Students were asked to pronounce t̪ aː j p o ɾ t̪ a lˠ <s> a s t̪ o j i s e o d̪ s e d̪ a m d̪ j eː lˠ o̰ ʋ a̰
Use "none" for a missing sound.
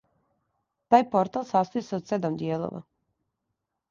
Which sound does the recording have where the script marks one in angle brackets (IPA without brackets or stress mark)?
s